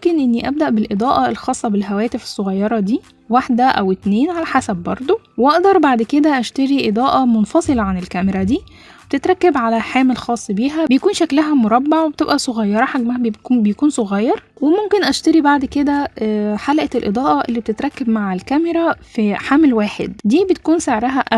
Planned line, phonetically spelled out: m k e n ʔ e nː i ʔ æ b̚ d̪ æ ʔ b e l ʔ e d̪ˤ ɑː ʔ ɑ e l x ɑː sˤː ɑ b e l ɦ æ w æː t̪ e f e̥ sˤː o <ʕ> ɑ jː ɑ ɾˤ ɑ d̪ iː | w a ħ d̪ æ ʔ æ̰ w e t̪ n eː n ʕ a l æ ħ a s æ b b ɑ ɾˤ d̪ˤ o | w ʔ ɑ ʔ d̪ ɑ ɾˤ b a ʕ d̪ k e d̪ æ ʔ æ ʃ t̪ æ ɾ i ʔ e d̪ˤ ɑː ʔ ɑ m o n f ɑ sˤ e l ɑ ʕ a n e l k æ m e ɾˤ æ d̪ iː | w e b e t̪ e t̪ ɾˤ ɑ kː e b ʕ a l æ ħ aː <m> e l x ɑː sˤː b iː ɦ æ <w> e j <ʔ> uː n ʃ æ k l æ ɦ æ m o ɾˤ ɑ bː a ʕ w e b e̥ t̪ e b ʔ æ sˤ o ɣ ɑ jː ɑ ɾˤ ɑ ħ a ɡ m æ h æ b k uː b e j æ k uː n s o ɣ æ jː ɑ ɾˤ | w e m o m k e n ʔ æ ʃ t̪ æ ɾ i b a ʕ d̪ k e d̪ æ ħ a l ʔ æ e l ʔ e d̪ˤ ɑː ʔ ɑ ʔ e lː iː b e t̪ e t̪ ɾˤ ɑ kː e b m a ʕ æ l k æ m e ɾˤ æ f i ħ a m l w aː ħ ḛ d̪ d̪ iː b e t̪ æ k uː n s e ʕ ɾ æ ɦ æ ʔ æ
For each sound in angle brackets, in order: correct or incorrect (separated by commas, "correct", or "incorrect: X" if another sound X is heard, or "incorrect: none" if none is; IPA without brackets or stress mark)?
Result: incorrect: ɣ, correct, incorrect: b, incorrect: k